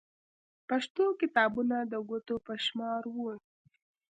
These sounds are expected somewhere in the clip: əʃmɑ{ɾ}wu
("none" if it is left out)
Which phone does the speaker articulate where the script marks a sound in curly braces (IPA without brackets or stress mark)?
ɾ